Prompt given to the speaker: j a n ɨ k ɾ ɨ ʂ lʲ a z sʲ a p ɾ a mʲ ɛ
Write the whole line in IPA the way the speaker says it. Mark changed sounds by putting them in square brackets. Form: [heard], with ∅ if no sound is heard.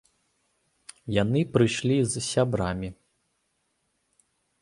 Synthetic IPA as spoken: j a n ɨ [p] ɾ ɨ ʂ lʲ [i] z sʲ a [b] ɾ a mʲ [i]

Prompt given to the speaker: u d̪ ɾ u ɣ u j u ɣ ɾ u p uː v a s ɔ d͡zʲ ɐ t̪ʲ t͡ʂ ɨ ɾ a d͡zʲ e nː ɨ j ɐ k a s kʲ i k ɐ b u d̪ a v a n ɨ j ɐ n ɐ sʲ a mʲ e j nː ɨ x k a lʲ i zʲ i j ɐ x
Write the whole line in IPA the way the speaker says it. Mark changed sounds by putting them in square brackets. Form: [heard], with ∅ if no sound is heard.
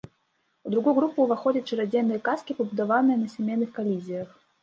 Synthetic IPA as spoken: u d̪ ɾ u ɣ u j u ɣ ɾ u p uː v a [x] ɔ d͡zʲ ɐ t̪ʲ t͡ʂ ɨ ɾ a d͡zʲ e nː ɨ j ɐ k a s kʲ i [p] ɐ b u d̪ a v a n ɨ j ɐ n ɐ sʲ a mʲ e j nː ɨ x k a lʲ i zʲ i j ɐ x

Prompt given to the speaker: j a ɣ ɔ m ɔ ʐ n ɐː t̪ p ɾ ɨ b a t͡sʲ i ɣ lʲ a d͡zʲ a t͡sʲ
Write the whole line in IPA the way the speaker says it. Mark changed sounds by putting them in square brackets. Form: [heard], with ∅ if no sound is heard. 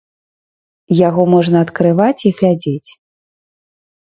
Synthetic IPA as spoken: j a ɣ ɔ m ɔ ʐ n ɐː t̪ [k] ɾ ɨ [v] a t͡sʲ i ɣ lʲ a d͡zʲ [e] t͡sʲ

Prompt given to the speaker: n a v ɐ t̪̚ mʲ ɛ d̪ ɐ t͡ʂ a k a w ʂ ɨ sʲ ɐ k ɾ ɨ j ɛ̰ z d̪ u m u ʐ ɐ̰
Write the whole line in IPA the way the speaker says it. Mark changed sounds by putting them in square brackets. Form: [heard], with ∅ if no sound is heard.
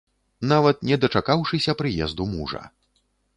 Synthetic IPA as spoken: n a v ɐ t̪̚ [nʲ] ɛ d̪ ɐ t͡ʂ a k a w ʂ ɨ sʲ ɐ [p] ɾ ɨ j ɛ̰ z d̪ u m u ʐ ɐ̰

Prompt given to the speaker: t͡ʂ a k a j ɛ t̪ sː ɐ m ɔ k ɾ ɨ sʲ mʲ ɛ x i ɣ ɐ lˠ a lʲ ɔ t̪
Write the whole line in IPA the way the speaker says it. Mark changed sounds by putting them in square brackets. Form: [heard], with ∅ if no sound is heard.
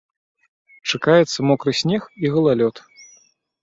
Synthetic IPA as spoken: t͡ʂ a k a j ɛ t̪ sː ɐ m ɔ k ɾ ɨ sʲ [nʲ] ɛ x i ɣ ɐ lˠ a lʲ ɔ t̪

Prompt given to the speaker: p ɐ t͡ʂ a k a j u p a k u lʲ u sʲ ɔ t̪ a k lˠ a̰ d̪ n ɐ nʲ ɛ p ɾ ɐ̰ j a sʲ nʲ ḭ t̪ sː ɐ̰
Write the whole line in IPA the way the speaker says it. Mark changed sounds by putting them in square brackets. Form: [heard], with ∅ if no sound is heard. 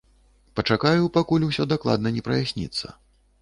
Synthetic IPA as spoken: p ɐ t͡ʂ a k a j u p a k u lʲ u sʲ ɔ [d̪] a k lˠ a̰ d̪ n ɐ nʲ ɛ p ɾ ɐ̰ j a sʲ nʲ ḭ t̪ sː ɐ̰

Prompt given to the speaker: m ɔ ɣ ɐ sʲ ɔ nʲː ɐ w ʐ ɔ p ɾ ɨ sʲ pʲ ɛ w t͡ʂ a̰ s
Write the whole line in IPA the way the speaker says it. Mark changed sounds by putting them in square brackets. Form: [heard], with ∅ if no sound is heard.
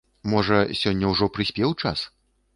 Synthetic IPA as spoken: m ɔ [ʐ] ɐ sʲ ɔ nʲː ɐ w ʐ ɔ p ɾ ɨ sʲ pʲ ɛ w t͡ʂ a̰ s

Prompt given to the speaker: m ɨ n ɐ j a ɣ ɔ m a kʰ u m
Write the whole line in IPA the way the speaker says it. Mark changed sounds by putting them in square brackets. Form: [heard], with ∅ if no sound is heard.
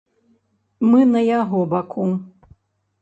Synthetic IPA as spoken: m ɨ n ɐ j a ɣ ɔ [b] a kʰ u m

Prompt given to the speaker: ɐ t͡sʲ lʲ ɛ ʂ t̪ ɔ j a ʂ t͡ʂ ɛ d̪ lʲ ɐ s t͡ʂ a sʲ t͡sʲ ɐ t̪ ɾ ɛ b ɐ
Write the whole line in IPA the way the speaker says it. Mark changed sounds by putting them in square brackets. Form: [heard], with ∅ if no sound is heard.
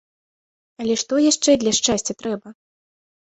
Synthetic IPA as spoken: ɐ [∅] lʲ ɛ ʂ t̪ ɔ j a ʂ t͡ʂ ɛ d̪ lʲ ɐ [ʂ] t͡ʂ a sʲ t͡sʲ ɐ t̪ ɾ ɛ b ɐ

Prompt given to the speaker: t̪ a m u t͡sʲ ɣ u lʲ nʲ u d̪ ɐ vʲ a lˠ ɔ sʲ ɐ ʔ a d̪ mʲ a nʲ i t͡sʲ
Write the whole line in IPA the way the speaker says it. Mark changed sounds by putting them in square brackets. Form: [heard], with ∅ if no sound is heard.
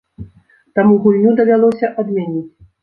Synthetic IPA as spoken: t̪ a m u [∅] ɣ u lʲ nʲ u d̪ ɐ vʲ a lˠ ɔ sʲ ɐ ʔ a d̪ mʲ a nʲ i t͡sʲ

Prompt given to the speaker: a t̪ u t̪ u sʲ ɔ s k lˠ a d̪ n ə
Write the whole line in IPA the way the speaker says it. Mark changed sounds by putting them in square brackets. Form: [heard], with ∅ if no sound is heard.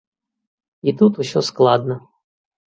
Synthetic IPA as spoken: [i] t̪ u t̪ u sʲ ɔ s k lˠ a d̪ n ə

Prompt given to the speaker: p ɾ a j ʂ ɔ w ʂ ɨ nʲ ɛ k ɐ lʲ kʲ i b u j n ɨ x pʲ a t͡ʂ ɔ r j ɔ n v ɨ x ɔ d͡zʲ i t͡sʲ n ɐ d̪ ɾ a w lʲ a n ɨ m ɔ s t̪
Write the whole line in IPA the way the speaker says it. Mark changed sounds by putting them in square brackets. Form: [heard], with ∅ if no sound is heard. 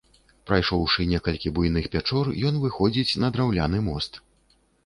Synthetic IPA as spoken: p ɾ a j ʂ ɔ w ʂ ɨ nʲ ɛ k ɐ lʲ kʲ i b u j n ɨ x pʲ a t͡ʂ ɔ r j ɔ n v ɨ x ɔ d͡zʲ i t͡sʲ n ɐ d̪ ɾ a w lʲ a n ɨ m ɔ s t̪

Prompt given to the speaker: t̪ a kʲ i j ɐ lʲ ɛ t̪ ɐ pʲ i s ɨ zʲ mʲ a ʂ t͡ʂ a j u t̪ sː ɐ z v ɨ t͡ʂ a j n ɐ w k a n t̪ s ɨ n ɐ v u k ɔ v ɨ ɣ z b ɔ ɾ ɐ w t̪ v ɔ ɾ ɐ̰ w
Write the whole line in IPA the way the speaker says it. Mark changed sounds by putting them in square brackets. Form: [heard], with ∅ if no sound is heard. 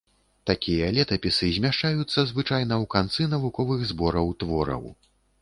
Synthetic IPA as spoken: t̪ a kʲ i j ɐ lʲ ɛ t̪ ɐ pʲ i s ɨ zʲ mʲ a ʂ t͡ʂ a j u t̪ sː ɐ z v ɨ t͡ʂ a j n ɐ w k a n t̪ s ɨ n ɐ v u k ɔ v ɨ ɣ z b ɔ ɾ ɐ w t̪ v ɔ ɾ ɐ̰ w

